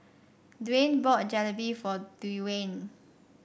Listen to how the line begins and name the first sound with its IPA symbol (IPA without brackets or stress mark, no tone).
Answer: d